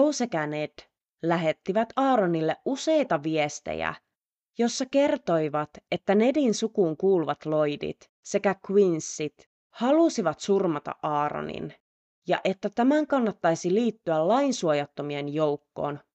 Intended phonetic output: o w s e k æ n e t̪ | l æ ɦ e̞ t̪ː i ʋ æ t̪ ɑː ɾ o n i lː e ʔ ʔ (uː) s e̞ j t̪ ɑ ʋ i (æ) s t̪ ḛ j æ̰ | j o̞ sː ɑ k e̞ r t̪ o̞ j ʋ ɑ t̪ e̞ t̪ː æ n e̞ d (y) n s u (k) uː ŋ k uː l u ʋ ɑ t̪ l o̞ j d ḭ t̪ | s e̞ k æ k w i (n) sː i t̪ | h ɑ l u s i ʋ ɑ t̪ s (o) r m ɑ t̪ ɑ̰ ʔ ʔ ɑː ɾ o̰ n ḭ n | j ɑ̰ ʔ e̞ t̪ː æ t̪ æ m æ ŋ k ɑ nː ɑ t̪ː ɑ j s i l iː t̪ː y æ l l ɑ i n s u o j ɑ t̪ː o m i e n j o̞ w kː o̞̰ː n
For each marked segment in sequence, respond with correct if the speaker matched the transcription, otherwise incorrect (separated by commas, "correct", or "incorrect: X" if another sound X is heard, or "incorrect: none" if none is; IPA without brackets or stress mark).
incorrect: u, incorrect: e, incorrect: i, correct, correct, incorrect: u